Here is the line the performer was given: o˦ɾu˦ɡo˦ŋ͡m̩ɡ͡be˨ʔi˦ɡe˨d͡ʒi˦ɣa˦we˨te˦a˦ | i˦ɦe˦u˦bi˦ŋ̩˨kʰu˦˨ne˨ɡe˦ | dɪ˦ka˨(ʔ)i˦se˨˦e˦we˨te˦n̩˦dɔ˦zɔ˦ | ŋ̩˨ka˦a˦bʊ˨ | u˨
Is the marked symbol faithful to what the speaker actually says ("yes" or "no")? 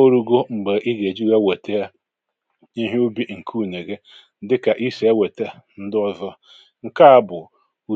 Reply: yes